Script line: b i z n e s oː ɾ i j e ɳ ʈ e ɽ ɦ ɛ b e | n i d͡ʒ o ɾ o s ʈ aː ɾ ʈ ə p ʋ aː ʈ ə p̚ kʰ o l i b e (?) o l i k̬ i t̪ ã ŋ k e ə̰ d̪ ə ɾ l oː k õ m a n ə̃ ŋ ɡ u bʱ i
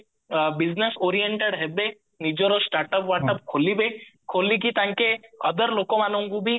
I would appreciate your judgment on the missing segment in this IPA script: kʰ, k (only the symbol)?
kʰ